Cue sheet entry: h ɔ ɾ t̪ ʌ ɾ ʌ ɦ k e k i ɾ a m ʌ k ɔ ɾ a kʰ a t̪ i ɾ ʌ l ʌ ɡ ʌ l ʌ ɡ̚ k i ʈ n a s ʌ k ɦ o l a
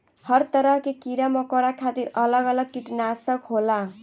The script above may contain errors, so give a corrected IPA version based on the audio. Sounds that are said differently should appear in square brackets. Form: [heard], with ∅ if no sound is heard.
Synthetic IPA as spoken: h [ʌ] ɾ t̪ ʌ ɾ ʌ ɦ k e k i ɾ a m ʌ k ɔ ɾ a kʰ a t̪ i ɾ ʌ l ʌ ɡ ʌ l ʌ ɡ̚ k i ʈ n a s ʌ k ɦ o l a